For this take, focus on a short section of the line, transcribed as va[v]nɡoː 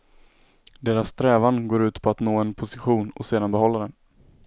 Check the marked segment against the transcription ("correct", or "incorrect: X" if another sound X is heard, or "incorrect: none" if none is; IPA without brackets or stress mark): incorrect: none